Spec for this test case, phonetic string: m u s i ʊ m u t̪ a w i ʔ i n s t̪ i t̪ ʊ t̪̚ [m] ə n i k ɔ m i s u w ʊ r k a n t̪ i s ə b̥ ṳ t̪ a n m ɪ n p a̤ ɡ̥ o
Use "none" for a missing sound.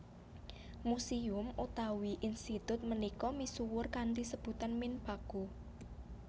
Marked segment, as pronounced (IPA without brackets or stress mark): m